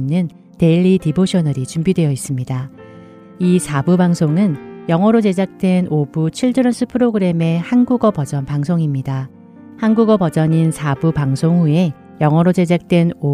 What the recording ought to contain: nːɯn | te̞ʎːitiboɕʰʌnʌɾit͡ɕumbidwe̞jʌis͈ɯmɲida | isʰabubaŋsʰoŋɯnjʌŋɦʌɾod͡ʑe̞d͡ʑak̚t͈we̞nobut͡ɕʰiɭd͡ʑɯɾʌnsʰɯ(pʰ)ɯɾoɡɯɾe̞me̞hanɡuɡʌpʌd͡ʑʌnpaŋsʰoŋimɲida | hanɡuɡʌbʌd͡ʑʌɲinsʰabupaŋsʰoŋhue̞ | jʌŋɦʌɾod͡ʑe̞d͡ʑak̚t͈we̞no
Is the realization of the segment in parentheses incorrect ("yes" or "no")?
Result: no